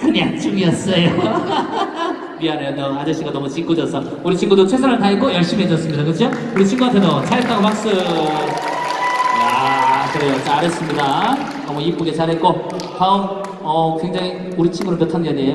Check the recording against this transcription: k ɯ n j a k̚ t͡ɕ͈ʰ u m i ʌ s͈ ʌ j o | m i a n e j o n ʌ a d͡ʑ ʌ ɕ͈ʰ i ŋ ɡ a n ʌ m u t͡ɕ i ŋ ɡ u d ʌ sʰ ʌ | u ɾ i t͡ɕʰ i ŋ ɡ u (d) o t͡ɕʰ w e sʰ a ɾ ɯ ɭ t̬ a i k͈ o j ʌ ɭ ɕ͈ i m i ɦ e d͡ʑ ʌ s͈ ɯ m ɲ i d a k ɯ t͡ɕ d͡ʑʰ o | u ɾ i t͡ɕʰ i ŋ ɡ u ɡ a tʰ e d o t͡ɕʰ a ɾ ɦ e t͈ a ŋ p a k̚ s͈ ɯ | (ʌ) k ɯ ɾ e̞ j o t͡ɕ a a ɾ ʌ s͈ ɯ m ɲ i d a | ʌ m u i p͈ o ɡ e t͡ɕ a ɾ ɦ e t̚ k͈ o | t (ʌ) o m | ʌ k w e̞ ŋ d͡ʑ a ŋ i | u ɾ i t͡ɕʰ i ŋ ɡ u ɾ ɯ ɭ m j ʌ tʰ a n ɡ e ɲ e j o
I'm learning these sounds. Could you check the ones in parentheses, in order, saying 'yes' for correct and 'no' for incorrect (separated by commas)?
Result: yes, no, no